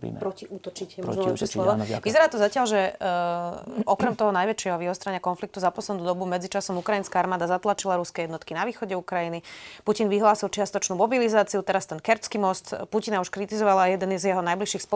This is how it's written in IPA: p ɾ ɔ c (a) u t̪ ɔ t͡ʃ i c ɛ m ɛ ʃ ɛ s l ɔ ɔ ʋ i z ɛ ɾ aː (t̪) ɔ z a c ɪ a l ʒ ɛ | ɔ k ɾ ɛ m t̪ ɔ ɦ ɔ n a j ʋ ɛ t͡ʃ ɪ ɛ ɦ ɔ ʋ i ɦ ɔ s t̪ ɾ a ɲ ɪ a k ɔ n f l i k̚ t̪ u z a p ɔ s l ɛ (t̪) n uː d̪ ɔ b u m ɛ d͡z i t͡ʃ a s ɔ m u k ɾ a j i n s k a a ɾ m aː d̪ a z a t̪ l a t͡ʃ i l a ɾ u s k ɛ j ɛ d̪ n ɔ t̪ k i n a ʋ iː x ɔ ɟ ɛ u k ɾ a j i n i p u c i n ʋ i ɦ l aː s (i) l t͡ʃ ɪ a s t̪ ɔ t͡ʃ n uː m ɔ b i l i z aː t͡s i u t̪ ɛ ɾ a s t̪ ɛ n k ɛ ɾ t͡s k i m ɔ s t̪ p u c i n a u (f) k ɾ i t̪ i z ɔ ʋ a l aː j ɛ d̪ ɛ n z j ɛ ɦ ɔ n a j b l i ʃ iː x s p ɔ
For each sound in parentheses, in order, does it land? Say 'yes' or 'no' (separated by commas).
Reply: no, yes, no, yes, no